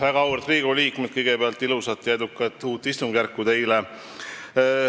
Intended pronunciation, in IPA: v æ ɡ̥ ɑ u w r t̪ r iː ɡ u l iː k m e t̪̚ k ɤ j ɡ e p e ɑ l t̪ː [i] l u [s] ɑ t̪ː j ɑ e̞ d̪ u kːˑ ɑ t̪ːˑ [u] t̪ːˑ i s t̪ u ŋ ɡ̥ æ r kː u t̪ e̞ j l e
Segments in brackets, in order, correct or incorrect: correct, correct, incorrect: uː

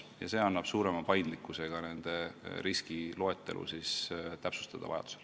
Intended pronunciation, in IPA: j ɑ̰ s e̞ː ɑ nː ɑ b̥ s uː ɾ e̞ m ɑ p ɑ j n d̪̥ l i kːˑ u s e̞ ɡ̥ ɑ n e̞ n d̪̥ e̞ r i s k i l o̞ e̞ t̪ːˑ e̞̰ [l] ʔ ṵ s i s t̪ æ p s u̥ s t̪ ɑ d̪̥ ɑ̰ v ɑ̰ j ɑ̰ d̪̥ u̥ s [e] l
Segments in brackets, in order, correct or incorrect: correct, correct

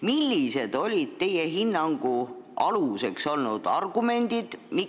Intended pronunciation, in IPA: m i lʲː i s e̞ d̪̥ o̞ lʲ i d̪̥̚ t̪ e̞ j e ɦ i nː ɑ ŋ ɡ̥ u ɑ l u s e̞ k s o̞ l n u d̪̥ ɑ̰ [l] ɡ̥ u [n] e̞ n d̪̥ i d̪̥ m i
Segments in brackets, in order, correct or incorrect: incorrect: r, incorrect: m

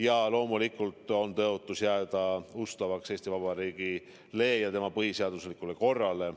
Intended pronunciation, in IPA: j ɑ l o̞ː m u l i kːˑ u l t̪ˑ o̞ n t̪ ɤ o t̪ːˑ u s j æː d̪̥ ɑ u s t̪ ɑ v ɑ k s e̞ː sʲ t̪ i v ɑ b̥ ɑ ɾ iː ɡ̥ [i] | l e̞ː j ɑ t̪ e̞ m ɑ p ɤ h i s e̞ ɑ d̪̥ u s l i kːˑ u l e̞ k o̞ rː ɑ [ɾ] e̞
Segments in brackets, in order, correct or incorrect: correct, incorrect: l

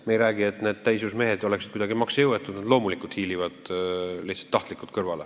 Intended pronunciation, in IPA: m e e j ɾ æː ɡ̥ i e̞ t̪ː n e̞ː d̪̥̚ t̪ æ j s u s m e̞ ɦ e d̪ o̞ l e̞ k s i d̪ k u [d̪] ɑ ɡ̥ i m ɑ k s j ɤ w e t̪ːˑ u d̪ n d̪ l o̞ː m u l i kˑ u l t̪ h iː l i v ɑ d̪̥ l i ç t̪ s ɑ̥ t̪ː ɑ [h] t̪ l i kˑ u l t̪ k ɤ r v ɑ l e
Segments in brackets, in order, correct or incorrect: correct, correct

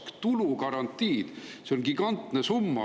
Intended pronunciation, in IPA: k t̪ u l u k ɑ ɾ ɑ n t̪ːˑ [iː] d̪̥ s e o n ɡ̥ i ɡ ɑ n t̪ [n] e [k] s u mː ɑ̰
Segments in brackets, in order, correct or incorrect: correct, correct, incorrect: none

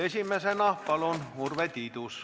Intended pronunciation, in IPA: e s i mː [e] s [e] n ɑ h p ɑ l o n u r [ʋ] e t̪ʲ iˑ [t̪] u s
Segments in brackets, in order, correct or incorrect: incorrect: æ, correct, correct, correct

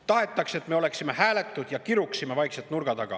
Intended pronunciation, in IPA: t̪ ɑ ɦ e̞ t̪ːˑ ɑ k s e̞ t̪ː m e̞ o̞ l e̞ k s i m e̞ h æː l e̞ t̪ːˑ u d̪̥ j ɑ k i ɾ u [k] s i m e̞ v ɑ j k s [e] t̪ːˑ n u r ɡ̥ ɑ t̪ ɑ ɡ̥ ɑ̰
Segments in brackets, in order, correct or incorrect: correct, correct

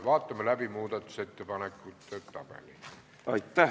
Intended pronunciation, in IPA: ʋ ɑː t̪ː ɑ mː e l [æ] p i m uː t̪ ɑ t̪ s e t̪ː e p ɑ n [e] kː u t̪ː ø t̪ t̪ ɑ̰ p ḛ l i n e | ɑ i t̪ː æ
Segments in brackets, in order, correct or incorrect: correct, correct

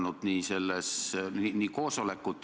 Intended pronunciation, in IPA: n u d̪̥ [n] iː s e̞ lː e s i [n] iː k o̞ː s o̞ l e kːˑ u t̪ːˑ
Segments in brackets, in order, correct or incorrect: correct, correct

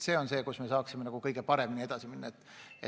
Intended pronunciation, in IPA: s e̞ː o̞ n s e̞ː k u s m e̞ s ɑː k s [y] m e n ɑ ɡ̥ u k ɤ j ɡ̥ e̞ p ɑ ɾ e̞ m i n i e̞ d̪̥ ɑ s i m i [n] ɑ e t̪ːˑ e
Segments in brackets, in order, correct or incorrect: incorrect: i, incorrect: nː

